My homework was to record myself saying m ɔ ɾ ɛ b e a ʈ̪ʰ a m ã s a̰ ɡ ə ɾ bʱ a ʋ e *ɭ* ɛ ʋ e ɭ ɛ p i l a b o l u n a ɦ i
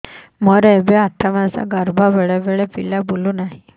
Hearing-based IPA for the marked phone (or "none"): ɭ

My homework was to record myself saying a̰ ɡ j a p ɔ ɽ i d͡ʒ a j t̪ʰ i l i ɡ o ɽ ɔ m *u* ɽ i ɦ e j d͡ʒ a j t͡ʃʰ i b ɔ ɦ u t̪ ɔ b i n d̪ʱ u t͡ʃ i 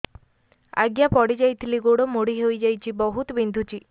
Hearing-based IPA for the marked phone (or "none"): o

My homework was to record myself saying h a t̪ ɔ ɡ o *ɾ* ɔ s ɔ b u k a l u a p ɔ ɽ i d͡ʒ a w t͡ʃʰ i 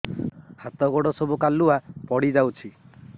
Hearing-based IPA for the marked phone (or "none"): ɽ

